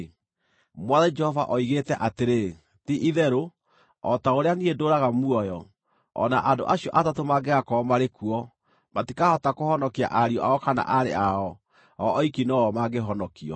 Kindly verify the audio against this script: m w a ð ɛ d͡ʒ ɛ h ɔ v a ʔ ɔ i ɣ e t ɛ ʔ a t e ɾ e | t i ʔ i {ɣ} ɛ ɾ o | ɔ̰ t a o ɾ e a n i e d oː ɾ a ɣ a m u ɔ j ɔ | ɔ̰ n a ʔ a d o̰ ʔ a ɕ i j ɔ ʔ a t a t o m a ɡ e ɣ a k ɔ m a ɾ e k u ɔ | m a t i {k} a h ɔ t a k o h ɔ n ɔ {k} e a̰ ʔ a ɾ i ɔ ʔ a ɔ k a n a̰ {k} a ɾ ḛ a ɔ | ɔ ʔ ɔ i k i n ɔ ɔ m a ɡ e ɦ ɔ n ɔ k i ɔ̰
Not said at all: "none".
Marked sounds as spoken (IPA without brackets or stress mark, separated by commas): ð, k, k, ʔ